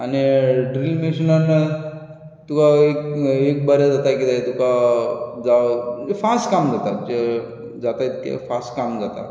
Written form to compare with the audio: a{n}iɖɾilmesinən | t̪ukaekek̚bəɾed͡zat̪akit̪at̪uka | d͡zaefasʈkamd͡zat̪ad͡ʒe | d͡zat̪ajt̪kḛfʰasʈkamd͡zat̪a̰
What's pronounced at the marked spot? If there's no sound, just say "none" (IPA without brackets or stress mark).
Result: n